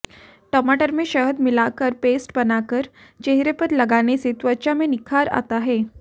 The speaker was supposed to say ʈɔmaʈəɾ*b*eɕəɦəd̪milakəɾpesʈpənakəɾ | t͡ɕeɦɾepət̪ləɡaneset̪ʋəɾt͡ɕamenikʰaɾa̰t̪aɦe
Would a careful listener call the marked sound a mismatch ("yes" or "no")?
yes